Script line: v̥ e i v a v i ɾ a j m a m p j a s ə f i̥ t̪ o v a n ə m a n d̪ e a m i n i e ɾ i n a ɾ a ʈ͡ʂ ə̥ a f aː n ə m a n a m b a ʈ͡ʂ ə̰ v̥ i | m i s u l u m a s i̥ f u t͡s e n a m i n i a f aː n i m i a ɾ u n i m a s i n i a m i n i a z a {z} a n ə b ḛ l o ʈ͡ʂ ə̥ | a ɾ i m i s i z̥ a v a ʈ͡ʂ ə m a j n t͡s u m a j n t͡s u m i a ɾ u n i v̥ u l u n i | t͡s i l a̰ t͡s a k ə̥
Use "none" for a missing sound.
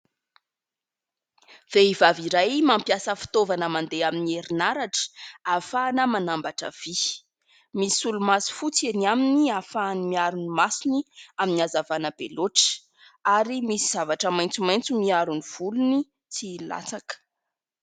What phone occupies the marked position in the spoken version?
v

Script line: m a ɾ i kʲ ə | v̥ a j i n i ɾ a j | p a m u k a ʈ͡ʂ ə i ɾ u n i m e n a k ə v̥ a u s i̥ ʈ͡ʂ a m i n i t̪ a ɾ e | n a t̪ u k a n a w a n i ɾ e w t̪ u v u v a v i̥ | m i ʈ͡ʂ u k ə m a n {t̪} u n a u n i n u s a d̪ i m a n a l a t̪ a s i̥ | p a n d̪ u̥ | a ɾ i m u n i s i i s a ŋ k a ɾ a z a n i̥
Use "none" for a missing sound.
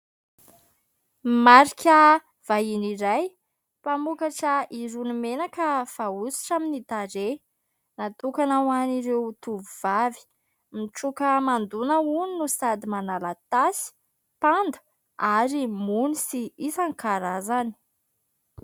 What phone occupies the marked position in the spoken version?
d̪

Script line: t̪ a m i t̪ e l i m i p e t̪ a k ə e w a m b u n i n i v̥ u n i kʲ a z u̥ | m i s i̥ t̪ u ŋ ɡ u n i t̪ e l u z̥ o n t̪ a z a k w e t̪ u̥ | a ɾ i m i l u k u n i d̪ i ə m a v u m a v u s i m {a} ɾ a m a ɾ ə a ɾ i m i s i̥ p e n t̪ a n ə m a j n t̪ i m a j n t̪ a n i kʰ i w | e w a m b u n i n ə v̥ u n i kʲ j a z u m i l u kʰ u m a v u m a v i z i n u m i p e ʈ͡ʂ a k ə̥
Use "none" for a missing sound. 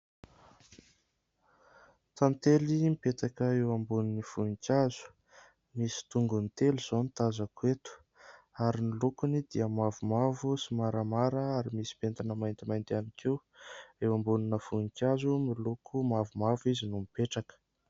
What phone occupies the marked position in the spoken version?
a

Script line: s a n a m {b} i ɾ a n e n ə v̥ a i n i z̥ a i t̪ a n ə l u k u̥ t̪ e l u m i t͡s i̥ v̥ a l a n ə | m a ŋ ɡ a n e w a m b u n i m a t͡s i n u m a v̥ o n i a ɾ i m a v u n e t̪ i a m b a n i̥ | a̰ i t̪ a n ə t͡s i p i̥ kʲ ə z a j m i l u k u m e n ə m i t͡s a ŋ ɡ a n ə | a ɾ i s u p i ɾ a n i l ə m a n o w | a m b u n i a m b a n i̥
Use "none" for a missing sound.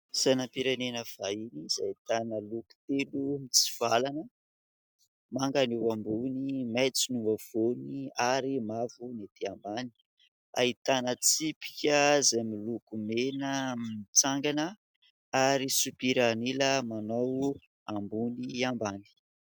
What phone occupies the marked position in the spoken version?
p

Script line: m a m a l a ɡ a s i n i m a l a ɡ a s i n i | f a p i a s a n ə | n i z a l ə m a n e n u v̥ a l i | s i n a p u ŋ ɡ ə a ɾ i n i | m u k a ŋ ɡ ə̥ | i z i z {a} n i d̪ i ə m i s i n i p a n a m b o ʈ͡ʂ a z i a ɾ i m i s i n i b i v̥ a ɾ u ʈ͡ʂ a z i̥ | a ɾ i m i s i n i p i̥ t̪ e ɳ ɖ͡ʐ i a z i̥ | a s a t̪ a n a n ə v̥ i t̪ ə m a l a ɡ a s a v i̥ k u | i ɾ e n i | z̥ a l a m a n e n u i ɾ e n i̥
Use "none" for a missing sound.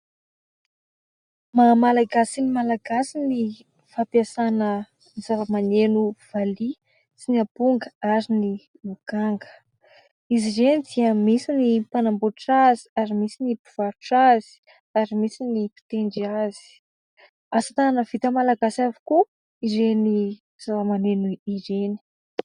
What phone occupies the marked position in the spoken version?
e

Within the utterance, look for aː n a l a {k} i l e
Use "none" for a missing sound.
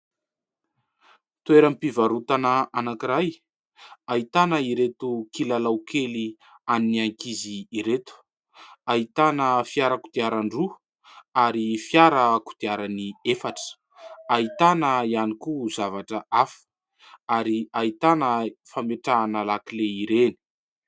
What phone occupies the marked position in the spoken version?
k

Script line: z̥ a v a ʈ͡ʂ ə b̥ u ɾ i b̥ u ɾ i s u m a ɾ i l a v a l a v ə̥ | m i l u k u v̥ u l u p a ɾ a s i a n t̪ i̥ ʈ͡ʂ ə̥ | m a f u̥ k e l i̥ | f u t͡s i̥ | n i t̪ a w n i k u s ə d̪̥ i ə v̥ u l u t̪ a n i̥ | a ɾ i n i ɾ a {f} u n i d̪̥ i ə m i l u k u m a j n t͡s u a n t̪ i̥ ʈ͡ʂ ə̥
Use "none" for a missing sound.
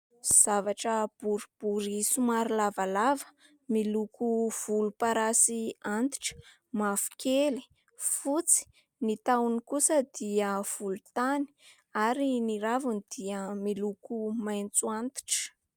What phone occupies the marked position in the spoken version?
v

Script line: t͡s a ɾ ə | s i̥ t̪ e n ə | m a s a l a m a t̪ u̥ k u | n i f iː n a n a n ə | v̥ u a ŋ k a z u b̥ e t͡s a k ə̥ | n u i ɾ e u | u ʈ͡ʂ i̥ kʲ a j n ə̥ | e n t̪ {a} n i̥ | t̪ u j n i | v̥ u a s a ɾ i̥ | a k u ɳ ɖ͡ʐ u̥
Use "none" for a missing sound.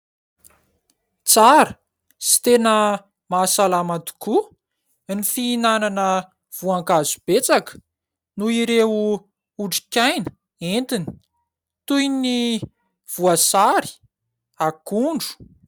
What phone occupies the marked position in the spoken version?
i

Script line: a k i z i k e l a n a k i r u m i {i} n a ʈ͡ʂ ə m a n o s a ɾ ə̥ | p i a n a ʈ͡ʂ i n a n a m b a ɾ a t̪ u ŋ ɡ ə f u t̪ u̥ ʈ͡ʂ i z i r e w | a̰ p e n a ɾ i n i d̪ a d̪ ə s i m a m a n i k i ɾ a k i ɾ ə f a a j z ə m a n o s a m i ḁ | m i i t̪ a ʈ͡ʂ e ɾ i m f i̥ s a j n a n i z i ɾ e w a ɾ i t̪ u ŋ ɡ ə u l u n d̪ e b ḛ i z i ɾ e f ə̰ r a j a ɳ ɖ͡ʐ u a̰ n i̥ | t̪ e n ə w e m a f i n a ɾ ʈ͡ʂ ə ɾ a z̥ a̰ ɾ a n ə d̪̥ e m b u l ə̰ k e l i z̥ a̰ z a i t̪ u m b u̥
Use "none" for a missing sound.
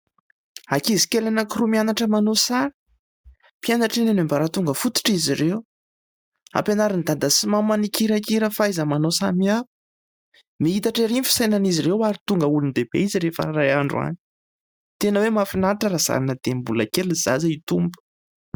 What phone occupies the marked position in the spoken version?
a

